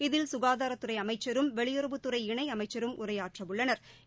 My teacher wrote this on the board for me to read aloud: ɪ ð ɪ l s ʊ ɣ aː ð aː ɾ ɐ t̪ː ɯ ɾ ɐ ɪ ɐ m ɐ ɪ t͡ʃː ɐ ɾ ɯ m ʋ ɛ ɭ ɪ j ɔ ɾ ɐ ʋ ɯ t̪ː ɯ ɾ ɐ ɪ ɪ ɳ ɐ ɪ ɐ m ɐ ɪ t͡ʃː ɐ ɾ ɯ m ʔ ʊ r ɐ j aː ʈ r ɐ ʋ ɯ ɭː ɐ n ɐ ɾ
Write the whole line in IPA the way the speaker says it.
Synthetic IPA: ɪ ð ɪ l s ʊ ɣ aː ð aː ɾ ɐ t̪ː ɯ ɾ ɐ ɪ ɐ m ɐ ɪ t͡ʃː ɐ ɾ ɯ m ʋ ɛ ɭ ɪ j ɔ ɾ ɐ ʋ ɯ t̪ː ɯ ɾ ɐ ɪ ɪ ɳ ɐ ɪ ɐ m ɐ ɪ t͡ʃː ɐ ɾ ɯ m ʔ ʊ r ɐ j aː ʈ r ɐ ʋ ɯ ɭː ɐ n ɐ ɾ